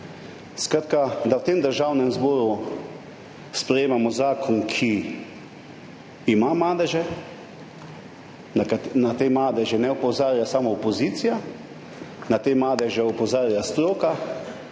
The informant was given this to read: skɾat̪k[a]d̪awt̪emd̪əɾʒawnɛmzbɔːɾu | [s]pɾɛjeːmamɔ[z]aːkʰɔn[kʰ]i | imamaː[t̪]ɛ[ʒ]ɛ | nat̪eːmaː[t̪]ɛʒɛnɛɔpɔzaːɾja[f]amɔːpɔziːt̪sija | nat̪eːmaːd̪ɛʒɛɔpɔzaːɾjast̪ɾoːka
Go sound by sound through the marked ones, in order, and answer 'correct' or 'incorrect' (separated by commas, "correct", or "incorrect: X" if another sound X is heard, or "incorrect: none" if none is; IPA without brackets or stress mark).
correct, correct, correct, correct, incorrect: d̪, correct, incorrect: d̪, incorrect: s